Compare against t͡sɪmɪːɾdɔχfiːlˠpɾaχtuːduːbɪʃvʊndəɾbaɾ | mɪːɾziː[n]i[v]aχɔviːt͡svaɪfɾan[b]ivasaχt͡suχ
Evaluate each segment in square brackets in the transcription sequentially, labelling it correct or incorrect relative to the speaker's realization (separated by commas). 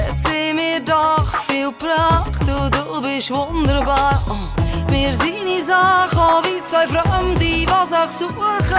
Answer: correct, incorrect, incorrect